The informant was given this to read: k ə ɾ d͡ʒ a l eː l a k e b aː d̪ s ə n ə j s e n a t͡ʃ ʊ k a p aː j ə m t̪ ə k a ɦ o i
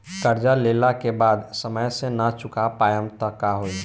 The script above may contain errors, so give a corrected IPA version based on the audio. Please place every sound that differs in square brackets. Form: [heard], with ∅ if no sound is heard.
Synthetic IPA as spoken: k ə ɾ d͡ʒ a l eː l a k e b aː d̪ s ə [m] ə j s e n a t͡ʃ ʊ k a p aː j ə m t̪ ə k a ɦ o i